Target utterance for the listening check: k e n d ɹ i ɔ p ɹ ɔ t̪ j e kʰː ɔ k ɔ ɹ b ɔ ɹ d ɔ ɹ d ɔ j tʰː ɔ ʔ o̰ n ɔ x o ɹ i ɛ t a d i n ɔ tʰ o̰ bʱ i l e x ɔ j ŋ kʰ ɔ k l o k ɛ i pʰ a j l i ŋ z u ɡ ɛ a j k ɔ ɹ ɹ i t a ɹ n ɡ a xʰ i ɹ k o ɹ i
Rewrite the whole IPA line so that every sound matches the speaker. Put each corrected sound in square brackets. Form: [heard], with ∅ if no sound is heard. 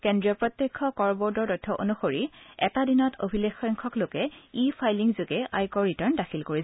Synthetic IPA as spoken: k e n d ɹ i ɔ p ɹ ɔ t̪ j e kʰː ɔ k ɔ ɹ b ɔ ɹ d ɔ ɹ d ɔ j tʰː ɔ ʔ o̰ n [u] x o ɹ i ɛ t a d i n ɔ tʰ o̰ bʱ i l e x ɔ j ŋ kʰ ɔ k l o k ɛ i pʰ a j l i ŋ z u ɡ ɛ a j k ɔ ɹ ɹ i t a ɹ n [d] a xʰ i [l] k o ɹ i